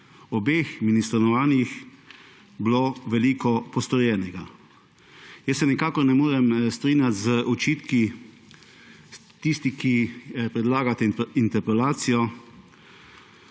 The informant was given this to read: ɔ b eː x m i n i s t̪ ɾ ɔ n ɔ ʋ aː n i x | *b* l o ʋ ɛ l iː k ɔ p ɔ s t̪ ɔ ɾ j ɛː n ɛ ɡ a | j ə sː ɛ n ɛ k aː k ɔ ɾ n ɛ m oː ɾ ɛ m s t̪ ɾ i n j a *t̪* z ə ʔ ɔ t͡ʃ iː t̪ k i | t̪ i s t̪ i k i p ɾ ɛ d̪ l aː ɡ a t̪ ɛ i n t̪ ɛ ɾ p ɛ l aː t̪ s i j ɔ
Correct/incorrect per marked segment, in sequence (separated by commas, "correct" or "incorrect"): correct, correct